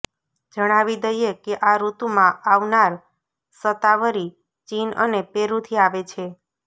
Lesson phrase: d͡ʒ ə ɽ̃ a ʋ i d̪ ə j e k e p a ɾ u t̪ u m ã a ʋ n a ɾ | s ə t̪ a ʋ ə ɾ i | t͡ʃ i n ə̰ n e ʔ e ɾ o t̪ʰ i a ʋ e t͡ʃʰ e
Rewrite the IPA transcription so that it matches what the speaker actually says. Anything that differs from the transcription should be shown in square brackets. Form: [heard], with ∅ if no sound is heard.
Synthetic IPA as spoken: d͡ʒ ə ɽ̃ a ʋ i d̪ ə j e k e [ʔ] a ɾ u t̪ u m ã a ʋ n a ɾ | s ə t̪ a ʋ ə ɾ i | t͡ʃ i n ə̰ n e [p] e ɾ [u] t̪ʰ i a ʋ e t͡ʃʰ e